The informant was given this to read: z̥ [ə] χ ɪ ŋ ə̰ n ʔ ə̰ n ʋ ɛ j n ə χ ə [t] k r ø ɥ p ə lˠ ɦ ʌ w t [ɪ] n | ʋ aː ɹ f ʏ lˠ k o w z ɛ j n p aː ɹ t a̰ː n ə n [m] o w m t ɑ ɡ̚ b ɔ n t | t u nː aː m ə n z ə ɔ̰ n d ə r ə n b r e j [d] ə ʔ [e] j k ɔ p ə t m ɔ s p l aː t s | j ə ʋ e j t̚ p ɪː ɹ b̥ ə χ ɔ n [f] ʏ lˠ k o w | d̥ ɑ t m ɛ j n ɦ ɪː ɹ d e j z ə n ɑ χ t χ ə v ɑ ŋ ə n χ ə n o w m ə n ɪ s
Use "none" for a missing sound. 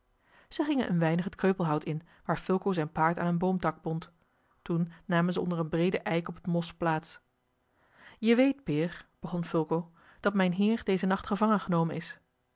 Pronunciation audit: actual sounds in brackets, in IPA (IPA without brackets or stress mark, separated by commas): ə, t, ɪ, b, d, ɛ, f